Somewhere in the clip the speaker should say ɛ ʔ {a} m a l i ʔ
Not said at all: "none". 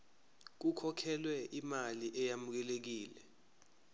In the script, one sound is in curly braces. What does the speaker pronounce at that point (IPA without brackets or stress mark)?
i